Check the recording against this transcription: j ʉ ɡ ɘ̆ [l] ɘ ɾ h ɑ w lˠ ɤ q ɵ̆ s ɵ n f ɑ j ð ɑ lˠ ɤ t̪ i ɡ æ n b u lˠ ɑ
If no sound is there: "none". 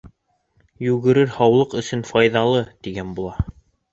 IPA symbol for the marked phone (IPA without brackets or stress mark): ɾ